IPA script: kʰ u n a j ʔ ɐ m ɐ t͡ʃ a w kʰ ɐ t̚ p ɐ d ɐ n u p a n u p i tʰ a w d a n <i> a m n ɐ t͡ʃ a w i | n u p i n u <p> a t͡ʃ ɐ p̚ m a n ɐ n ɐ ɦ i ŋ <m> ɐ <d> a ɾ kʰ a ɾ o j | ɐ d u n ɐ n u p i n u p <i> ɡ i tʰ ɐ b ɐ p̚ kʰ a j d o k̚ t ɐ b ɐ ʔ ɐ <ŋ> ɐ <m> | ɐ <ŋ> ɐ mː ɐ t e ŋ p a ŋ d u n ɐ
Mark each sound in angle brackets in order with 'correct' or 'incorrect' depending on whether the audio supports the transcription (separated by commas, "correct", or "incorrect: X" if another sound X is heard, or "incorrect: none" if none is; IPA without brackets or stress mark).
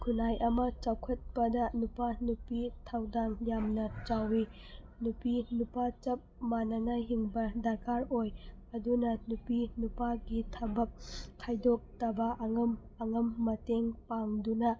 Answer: incorrect: j, correct, incorrect: b, correct, incorrect: a, correct, correct, correct